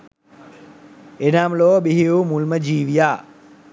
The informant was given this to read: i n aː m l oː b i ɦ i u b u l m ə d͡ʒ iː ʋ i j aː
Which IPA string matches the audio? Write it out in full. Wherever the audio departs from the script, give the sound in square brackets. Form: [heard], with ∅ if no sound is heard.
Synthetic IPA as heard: [e] n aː m l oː b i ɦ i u [m] u l m ə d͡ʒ iː ʋ i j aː